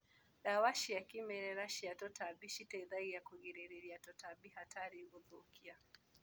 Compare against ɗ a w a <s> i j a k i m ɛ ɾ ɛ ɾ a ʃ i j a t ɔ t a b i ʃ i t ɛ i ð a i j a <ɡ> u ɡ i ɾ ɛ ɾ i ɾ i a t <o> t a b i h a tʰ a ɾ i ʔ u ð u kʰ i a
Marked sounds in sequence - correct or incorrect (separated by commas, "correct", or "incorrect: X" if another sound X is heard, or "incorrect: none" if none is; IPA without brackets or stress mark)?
incorrect: ʃ, incorrect: k, incorrect: ɔ